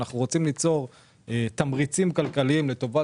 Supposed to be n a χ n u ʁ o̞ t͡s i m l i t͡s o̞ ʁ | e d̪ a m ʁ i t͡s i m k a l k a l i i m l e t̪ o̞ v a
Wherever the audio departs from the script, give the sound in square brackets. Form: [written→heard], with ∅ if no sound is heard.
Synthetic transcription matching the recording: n a χ n u ʁ o̞ t͡s i m l i t͡s o̞ ʁ | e [d̪→t̪] a m ʁ i t͡s i m k a l k a l i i m l e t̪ o̞ v a

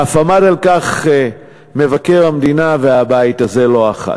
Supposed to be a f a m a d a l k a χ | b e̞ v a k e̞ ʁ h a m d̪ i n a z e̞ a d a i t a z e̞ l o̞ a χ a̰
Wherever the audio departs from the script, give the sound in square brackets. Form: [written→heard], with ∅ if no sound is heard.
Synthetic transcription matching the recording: a f a m a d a l k a χ | [b→m] e̞ v a k e̞ ʁ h a m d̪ i n a [z→v] e̞ a [d→b] a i t a z e̞ l o̞ a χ a̰

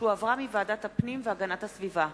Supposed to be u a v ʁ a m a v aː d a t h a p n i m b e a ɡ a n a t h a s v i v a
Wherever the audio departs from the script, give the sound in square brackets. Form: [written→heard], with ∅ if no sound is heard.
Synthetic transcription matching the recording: u a v ʁ a m [a→i] v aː d a t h a p n i m [b→v] e a ɡ a n a t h a s v i v a

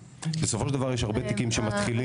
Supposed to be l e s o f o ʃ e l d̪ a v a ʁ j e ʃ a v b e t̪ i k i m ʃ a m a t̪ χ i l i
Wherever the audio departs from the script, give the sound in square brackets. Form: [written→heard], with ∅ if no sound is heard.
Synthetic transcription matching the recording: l e s o f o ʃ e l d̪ a v a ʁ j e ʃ a [v→ʁ] b e t̪ i k i m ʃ [a→e] m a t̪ χ i l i

